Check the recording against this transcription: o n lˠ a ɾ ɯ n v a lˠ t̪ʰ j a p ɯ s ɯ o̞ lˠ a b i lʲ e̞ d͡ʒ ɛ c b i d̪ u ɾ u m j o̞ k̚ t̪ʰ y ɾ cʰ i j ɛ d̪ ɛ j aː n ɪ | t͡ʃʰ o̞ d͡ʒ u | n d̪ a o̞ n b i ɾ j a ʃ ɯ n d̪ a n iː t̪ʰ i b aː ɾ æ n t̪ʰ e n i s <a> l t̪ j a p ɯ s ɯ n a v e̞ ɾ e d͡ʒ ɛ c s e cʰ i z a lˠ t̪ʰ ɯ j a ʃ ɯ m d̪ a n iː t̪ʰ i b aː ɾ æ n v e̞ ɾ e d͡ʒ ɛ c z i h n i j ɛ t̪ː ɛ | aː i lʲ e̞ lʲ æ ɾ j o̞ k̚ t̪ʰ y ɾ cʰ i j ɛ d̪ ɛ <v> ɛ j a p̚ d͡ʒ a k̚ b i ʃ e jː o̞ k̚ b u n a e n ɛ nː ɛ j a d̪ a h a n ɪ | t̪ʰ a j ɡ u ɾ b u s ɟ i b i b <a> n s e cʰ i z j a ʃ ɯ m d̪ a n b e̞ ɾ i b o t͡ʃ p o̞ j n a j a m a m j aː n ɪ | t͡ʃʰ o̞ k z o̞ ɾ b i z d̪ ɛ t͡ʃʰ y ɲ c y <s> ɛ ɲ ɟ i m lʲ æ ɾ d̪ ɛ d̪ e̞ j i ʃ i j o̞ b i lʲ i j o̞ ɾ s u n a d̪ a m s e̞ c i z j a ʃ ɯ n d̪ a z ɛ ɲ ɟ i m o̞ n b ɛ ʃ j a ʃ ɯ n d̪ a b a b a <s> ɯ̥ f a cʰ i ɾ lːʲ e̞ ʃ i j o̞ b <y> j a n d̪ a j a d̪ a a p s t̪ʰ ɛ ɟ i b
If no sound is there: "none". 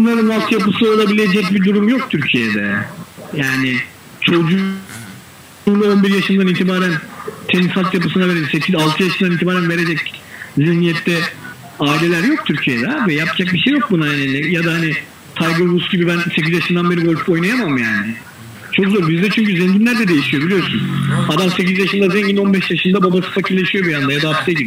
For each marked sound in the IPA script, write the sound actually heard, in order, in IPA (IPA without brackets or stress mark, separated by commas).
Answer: a, v, æ, z, s, i